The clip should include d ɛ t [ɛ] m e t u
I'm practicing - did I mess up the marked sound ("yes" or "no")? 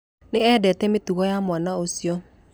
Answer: no